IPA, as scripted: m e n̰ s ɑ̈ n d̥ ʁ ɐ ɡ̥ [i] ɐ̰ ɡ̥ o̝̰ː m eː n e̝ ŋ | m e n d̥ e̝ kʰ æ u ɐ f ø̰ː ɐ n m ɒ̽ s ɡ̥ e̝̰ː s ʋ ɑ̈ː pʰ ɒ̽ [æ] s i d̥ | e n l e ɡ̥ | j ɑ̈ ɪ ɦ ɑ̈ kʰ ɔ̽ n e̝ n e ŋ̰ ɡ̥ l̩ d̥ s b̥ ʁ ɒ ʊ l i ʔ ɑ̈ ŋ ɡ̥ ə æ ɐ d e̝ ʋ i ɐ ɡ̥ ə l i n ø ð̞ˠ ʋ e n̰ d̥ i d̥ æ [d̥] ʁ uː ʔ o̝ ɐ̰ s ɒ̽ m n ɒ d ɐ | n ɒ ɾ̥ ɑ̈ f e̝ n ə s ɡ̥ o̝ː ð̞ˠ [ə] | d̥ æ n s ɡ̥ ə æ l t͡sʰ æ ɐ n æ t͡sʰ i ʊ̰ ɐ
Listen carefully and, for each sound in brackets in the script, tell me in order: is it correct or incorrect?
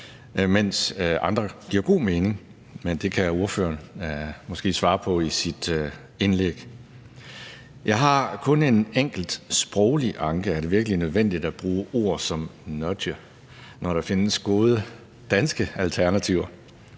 correct, incorrect: i, incorrect: b̥, correct

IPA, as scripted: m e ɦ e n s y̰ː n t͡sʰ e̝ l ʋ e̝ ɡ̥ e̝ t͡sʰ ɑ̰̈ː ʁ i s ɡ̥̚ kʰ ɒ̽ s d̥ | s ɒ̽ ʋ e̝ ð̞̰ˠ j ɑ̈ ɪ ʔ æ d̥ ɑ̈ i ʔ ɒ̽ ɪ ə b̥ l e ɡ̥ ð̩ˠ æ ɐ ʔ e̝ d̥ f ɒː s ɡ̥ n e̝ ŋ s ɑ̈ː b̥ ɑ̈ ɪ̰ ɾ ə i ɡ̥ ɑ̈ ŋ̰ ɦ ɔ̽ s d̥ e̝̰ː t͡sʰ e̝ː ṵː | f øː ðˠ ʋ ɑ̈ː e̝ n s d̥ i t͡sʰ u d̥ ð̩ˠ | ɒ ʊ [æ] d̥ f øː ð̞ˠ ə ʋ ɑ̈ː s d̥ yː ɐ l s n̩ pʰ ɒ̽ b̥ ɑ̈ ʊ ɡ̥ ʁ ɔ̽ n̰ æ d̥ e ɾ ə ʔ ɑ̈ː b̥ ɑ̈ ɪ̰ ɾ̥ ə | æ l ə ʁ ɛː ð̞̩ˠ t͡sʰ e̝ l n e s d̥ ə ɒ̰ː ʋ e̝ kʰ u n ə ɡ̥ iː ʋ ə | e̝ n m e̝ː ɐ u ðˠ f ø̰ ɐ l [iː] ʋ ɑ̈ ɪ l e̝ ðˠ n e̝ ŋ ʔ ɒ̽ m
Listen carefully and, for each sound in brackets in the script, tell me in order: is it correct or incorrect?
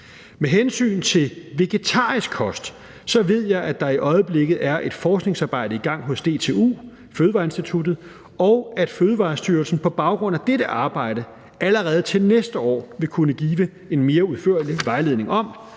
correct, incorrect: i

